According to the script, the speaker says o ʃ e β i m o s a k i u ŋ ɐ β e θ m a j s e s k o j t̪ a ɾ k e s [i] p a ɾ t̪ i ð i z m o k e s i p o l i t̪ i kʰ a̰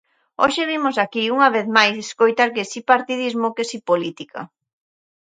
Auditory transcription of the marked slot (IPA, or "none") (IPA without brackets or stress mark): i